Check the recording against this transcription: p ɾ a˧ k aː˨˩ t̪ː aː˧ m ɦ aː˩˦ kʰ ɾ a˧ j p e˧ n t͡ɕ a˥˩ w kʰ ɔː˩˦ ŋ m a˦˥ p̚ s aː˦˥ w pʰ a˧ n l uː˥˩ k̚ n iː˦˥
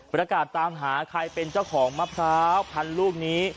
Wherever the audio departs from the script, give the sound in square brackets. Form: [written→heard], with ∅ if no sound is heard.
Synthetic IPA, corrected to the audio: p ɾ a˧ k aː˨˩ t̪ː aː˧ m ɦ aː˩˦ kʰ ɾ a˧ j p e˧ n t͡ɕ a˥˩ w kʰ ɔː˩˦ ŋ m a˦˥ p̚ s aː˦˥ w pʰ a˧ n l uː˥˩ k̚ n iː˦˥

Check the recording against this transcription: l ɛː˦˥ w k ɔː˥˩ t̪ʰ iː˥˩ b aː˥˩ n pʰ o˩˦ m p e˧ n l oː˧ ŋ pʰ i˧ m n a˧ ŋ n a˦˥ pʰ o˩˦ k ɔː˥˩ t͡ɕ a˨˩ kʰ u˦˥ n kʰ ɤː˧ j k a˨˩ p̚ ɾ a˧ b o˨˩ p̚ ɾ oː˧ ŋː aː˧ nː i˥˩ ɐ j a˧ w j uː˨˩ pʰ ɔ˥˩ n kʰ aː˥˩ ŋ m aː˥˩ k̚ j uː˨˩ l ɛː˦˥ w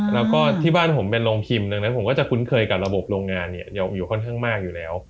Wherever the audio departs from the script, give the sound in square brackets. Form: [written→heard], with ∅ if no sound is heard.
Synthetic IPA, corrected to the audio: l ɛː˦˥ w k ɔː˥˩ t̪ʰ iː˥˩ b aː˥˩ n pʰ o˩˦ m p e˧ n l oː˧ ŋ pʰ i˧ m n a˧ ŋ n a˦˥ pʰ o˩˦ k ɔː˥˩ t͡ɕ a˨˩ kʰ u˦˥ n kʰ ɤː˧ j k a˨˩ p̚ ɾ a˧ b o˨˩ p̚ ɾ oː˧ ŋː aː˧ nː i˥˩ ɐ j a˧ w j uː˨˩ [pʰ→kʰ] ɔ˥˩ n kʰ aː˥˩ ŋ m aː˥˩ k̚ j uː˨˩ l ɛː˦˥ w

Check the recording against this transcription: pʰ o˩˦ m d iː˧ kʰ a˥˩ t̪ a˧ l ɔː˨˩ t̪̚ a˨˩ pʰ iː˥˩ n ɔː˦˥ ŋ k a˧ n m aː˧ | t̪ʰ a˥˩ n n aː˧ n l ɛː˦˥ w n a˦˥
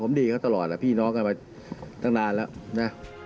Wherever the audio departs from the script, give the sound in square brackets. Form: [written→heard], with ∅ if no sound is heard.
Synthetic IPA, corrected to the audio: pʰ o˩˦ m d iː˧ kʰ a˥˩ t̪ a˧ l ɔː˨˩ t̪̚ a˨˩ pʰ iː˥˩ n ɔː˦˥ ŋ k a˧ n m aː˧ | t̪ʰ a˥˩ [n→ŋ] n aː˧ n l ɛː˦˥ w n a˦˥

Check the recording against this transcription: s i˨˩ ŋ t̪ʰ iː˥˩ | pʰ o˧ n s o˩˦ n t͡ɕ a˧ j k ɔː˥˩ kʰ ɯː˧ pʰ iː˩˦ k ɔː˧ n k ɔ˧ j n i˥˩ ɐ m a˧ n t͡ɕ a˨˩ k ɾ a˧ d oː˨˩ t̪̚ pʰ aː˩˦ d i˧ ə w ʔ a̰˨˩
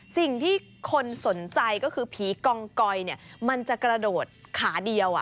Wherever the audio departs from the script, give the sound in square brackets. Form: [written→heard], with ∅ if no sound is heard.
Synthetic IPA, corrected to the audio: s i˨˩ ŋ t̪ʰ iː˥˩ | [pʰ→kʰ] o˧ n s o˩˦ n t͡ɕ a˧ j k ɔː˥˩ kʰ ɯː˧ pʰ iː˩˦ k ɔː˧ [n→ŋ] k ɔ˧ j n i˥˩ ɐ m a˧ n t͡ɕ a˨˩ k ɾ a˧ d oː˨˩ t̪̚ [pʰ→kʰ] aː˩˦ d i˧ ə w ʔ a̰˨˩

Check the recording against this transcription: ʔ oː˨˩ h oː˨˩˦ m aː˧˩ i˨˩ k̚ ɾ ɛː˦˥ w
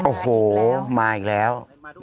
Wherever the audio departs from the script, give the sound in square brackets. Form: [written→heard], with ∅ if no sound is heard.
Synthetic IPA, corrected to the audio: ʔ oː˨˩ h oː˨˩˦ m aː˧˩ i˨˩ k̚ [ɾ→l] ɛː˦˥ w

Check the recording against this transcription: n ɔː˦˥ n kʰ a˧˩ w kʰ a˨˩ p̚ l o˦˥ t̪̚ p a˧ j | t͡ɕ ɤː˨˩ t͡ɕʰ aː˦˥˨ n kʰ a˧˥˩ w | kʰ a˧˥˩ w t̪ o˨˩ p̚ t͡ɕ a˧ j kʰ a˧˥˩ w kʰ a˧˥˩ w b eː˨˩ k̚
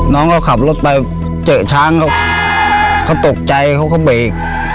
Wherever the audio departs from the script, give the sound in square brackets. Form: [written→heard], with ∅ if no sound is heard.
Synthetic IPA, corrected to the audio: n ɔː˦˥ [n→ŋ] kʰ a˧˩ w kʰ a˨˩ p̚ l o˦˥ t̪̚ p a˧ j | t͡ɕ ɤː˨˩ t͡ɕʰ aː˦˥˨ [n→ŋ] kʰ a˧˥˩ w | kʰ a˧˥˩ w t̪ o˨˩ [p̚→k̚] t͡ɕ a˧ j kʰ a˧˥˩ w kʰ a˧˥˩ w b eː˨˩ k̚

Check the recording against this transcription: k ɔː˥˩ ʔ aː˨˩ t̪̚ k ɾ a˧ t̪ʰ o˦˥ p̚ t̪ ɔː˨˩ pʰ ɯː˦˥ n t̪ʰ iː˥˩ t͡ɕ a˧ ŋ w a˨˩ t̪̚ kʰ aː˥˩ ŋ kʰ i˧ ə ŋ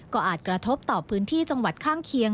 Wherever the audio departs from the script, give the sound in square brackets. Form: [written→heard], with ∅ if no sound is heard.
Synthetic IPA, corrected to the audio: k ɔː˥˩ ʔ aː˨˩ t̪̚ k ɾ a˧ t̪ʰ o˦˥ p̚ t̪ ɔː˨˩ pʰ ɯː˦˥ n t̪ʰ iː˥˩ t͡ɕ a˧ ŋ w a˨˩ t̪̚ kʰ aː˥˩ ŋ kʰ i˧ ə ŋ

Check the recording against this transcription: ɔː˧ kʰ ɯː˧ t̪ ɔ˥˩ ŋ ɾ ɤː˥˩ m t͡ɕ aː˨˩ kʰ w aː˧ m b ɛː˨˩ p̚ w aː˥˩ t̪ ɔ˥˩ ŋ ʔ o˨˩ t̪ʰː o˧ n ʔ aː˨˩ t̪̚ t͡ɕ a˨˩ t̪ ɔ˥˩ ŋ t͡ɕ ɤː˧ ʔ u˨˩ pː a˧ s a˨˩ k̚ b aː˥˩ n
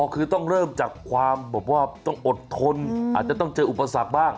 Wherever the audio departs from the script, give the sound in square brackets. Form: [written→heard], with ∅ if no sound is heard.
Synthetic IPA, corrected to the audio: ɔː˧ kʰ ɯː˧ t̪ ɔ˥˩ ŋ ɾ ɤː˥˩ m t͡ɕ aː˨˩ kʰ w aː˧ m b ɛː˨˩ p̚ w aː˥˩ t̪ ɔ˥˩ ŋ ʔ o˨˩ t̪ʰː o˧ n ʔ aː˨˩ t̪̚ t͡ɕ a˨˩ t̪ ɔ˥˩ ŋ t͡ɕ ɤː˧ ʔ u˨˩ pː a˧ s a˨˩ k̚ b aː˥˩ [n→ŋ]

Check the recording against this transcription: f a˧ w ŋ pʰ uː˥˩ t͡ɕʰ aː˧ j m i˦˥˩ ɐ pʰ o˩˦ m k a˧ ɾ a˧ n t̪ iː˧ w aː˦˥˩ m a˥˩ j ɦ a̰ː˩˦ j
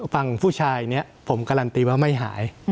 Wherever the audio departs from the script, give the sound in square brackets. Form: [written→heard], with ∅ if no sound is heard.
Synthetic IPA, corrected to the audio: f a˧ [w→∅] ŋ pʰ uː˥˩ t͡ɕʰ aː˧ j [m→n] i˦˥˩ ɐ pʰ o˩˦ m k a˧ ɾ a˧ n t̪ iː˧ w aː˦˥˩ m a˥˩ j ɦ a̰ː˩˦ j

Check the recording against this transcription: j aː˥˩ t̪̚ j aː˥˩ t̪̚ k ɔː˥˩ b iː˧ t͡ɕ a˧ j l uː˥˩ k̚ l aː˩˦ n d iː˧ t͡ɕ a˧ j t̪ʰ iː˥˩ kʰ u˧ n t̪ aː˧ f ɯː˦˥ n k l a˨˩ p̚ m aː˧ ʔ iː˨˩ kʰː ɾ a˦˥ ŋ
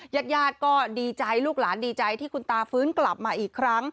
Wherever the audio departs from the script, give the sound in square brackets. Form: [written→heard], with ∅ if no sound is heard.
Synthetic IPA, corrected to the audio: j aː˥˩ t̪̚ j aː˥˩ t̪̚ k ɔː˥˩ [b→d] iː˧ t͡ɕ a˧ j l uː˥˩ k̚ l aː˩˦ n d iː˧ t͡ɕ a˧ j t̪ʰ iː˥˩ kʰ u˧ n t̪ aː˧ f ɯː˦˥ n k l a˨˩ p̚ m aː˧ ʔ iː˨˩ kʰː ɾ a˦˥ ŋ

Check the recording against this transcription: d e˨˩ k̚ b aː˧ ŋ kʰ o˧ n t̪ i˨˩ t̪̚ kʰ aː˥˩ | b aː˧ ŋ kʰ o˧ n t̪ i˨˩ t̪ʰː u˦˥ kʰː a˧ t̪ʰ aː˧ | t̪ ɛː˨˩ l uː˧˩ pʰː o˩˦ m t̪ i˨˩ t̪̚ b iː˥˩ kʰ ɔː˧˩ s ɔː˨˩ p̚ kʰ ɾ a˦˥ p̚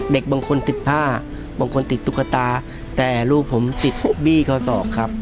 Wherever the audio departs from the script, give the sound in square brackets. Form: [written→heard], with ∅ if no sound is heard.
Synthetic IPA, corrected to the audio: d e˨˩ k̚ b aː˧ ŋ kʰ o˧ n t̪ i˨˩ t̪̚ [kʰ→pʰ] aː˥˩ | b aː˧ ŋ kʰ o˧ n t̪ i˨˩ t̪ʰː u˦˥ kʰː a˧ [t̪ʰ→t̪] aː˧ | t̪ ɛː˨˩ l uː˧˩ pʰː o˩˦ m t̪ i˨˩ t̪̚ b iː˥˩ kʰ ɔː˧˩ s ɔː˨˩ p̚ kʰ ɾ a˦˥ p̚

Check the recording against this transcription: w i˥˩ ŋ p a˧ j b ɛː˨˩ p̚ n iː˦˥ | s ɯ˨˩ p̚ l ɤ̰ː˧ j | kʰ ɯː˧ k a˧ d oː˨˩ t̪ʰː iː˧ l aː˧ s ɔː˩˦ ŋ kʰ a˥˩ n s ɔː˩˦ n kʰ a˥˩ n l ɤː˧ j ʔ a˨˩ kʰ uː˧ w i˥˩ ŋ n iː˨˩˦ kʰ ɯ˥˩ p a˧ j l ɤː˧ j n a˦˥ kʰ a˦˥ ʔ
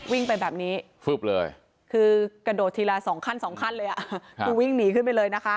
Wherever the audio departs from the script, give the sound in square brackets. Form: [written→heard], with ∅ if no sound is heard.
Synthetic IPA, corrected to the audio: w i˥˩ ŋ p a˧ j b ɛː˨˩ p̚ n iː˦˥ | [s→f] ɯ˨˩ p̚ l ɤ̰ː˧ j | kʰ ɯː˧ k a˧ d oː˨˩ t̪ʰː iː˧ l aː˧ s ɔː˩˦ ŋ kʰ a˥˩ n s ɔː˩˦ [n→ŋ] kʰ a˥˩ n l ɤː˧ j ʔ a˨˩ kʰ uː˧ w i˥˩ ŋ n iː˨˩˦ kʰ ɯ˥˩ p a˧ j l ɤː˧ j n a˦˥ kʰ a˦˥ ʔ

